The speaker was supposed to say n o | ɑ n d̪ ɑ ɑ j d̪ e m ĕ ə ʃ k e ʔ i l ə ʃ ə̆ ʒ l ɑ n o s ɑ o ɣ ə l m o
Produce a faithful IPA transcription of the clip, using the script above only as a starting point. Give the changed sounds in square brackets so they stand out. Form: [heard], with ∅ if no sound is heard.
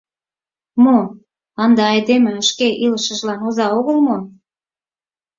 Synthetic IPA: [m] o | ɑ n d̪ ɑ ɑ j d̪ e m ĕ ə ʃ k e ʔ i l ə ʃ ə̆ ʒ l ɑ n o [z] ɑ o ɣ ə l m o